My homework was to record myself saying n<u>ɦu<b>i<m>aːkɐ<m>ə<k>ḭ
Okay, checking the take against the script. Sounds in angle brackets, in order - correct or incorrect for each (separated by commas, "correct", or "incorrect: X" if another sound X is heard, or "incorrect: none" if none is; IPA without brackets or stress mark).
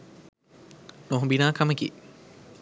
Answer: incorrect: o, correct, incorrect: n, correct, correct